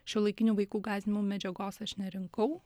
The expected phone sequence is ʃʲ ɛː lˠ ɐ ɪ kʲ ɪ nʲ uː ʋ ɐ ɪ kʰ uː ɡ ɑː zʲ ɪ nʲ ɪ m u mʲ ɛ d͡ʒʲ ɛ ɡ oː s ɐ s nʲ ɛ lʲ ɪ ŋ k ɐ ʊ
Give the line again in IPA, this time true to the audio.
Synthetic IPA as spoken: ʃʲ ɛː lˠ ɐ ɪ kʲ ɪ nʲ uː ʋ ɐ ɪ k uː ɡ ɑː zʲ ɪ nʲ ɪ m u mʲ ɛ d͡ʒʲ ɛ ɡ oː s ɐ ʃ nʲ ɛ ɾʲ ɪ ŋ k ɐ ʊ